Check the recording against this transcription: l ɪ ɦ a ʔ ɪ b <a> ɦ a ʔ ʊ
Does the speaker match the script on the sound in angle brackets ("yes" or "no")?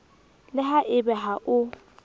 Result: no